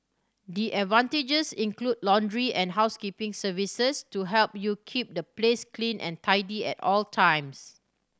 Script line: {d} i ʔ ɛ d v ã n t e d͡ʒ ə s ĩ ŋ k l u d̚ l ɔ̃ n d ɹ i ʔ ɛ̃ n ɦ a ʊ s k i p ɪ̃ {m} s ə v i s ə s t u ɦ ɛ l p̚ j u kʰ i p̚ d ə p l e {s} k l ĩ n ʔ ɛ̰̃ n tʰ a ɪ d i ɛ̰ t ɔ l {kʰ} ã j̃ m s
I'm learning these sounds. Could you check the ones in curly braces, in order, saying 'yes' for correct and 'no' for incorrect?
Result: yes, no, yes, no

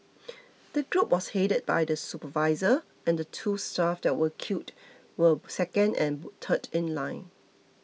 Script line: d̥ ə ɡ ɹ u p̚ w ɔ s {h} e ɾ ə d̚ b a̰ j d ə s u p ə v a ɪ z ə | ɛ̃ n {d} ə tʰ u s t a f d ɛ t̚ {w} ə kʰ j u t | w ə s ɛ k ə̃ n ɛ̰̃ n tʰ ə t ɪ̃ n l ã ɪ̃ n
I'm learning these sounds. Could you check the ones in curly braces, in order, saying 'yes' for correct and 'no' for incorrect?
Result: yes, yes, yes

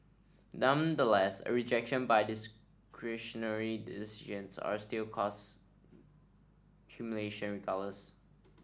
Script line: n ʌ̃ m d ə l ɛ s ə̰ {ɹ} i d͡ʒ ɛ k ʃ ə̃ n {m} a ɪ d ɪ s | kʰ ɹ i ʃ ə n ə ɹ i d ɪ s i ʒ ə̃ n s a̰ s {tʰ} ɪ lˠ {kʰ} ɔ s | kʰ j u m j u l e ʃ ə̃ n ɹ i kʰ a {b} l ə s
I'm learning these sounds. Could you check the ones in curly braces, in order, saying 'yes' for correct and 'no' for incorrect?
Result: yes, no, no, yes, no

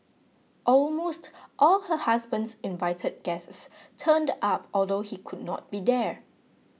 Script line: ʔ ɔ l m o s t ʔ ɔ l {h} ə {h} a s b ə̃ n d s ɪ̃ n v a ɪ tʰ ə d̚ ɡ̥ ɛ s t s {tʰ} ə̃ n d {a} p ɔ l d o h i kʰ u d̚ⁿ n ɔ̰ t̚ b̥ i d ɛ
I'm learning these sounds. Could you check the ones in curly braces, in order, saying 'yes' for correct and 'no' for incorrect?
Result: yes, yes, yes, yes

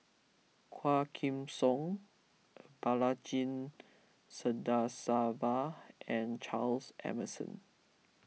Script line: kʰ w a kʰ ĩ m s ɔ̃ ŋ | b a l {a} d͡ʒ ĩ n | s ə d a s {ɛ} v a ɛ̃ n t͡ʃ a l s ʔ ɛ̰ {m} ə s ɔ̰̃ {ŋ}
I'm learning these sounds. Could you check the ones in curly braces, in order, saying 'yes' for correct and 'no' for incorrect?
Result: yes, no, yes, no

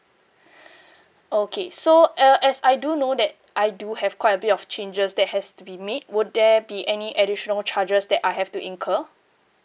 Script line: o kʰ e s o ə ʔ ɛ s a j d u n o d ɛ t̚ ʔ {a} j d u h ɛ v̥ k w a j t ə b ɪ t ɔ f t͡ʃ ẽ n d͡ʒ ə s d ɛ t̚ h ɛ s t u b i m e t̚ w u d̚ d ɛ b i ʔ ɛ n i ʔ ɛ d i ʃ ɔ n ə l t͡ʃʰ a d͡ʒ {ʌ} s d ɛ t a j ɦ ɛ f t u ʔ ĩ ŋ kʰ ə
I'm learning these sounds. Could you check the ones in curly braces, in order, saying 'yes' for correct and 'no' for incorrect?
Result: yes, no

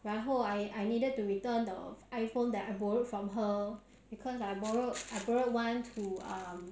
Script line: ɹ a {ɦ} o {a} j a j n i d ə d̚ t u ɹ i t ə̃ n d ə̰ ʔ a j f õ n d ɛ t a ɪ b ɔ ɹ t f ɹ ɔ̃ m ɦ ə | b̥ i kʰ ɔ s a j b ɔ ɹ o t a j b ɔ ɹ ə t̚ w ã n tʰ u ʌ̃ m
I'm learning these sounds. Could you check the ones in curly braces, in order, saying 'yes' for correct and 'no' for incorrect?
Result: yes, yes

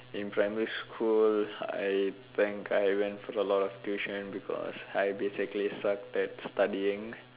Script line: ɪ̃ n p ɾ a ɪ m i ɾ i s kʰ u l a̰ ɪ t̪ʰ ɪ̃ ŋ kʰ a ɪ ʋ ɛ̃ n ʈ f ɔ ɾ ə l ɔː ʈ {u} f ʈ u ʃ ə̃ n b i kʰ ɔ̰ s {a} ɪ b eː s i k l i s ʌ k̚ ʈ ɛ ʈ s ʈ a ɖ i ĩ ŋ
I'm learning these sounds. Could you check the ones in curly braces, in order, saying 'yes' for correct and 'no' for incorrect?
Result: no, yes

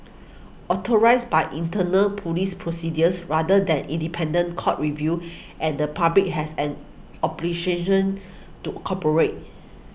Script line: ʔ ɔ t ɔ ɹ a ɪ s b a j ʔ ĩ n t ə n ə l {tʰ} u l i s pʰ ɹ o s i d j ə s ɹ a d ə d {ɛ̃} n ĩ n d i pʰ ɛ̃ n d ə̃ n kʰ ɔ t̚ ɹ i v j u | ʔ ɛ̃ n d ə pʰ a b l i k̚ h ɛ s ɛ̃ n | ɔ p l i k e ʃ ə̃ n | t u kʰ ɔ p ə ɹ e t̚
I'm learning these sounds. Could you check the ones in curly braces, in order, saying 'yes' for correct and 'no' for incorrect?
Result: no, yes

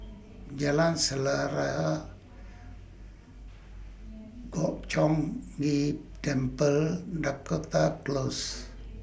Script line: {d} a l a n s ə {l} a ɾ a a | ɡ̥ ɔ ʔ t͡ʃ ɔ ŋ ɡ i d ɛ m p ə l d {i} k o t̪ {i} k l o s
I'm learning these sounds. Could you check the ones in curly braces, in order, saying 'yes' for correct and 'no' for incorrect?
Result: no, yes, no, no

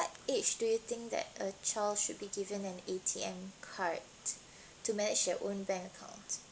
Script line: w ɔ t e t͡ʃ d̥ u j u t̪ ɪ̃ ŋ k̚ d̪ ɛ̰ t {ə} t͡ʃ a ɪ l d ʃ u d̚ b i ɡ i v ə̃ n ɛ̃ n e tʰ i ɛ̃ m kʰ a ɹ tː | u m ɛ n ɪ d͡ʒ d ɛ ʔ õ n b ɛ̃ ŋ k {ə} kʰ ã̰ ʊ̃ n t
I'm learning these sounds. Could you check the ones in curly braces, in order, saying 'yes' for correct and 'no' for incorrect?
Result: yes, yes

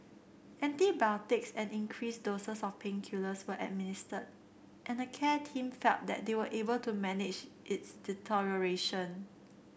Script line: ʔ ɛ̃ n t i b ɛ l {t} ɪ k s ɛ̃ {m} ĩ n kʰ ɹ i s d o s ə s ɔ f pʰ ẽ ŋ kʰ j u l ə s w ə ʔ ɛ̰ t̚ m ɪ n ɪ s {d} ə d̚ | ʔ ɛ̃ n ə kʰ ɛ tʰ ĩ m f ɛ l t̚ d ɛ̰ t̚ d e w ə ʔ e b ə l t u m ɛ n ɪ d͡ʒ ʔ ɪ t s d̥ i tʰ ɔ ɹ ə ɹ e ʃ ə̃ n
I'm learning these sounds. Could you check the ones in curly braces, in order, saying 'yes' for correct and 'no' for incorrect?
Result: yes, no, no

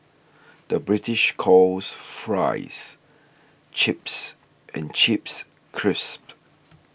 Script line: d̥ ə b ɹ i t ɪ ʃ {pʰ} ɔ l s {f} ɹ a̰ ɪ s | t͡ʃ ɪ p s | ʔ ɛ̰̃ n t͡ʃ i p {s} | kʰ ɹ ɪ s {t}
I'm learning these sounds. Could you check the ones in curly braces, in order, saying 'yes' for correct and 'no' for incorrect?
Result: no, yes, yes, no

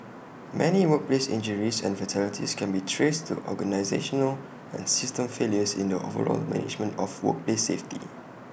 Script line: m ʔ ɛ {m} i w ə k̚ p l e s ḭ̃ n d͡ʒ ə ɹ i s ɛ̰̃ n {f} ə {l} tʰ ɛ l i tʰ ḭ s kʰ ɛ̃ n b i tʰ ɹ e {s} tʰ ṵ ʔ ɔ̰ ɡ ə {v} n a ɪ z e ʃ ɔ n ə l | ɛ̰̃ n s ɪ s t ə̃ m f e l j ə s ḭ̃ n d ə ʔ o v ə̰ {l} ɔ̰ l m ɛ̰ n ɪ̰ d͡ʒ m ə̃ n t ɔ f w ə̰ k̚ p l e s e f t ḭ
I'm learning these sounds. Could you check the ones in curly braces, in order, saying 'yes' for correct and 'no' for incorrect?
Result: no, yes, no, yes, no, no

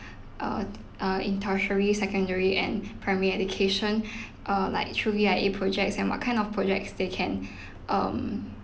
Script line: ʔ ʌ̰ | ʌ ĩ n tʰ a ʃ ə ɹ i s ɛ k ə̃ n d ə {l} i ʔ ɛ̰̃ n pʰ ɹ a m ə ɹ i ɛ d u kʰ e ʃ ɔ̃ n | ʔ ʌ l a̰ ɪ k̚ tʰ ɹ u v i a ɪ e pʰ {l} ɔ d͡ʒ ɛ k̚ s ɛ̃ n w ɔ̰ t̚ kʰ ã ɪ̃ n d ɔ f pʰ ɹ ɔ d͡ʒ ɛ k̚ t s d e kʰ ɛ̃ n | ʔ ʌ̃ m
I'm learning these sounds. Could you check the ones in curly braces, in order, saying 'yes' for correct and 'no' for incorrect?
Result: no, no

